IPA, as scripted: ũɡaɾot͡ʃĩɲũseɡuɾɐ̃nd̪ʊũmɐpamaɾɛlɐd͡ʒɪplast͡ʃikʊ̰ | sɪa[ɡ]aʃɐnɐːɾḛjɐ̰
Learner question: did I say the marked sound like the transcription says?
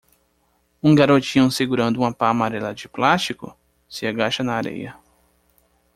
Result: yes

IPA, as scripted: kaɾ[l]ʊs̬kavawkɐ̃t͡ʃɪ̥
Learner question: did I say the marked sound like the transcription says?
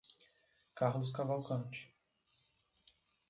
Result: yes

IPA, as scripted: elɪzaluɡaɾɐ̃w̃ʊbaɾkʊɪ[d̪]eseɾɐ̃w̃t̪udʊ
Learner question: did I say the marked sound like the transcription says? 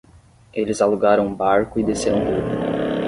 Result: yes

